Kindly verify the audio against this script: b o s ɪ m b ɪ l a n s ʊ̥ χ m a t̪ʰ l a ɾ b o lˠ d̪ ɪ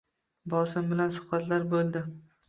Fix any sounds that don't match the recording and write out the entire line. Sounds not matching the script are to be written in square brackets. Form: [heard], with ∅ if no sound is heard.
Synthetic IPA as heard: b [ɒ] s ɪ m b ɪ l a n s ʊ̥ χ [b] a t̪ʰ l a ɾ b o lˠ d̪ ɪ